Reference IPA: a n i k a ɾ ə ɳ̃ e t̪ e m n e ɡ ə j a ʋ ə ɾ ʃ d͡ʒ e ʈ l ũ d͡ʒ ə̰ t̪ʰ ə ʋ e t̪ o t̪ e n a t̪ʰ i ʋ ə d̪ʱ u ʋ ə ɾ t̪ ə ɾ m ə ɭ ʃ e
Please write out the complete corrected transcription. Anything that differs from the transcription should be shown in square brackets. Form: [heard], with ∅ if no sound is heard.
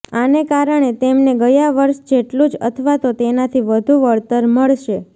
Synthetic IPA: a n [e] k a ɾ ə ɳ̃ e t̪ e m n e ɡ ə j a ʋ ə ɾ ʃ d͡ʒ e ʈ l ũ d͡ʒ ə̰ t̪ʰ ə ʋ [a] t̪ o t̪ e n a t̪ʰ i ʋ ə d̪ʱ u ʋ ə [ɭ] t̪ ə ɾ m ə ɭ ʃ e